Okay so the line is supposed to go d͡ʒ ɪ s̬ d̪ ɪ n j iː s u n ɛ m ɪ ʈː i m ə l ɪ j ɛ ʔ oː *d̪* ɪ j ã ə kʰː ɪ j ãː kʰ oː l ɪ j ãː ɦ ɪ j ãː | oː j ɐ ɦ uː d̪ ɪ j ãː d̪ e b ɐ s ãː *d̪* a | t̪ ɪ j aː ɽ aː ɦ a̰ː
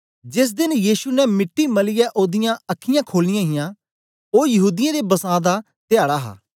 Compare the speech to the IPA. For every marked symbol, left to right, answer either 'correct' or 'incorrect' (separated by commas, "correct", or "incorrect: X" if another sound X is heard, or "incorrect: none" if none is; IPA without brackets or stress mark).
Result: correct, correct